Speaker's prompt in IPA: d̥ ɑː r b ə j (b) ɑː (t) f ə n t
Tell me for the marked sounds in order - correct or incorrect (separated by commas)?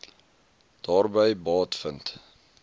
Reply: correct, correct